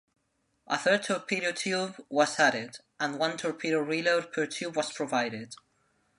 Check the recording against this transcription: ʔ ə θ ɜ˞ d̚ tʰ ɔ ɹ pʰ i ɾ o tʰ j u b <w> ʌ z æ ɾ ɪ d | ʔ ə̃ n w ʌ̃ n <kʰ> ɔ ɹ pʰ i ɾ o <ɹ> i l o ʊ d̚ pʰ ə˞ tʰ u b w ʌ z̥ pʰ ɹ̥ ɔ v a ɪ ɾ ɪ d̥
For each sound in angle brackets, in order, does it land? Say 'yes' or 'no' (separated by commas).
yes, no, yes